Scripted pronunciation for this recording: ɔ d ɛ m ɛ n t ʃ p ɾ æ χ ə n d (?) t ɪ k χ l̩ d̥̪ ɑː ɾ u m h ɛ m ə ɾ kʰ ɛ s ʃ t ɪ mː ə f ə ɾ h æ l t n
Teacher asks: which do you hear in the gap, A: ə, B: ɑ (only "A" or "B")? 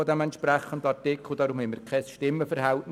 B